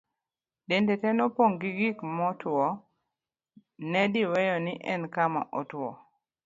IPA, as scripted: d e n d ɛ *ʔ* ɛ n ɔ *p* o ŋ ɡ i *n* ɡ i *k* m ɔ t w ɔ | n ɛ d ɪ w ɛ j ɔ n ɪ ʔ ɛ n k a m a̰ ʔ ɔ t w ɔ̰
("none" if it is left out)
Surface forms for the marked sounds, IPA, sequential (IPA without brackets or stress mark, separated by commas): t, p, none, k